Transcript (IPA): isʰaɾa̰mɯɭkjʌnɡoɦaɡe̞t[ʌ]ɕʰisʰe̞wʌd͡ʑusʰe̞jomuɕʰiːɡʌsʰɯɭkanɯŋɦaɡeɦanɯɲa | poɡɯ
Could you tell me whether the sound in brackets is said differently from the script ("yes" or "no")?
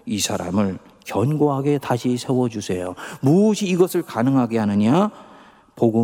yes